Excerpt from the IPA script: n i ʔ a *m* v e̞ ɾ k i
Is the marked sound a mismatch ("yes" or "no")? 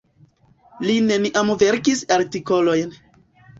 no